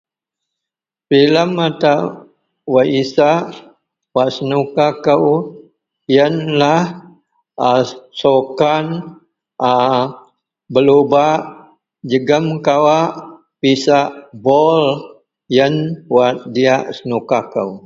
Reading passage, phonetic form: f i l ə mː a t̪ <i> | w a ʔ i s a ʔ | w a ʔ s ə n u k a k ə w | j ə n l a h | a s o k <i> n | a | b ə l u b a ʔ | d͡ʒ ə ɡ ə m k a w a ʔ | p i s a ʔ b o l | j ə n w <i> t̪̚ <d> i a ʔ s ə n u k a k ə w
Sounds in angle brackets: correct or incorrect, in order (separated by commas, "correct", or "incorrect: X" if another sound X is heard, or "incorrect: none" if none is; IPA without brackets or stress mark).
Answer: incorrect: a, incorrect: a, incorrect: a, correct